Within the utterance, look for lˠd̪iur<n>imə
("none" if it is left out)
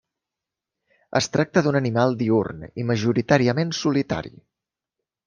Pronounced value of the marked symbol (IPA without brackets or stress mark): n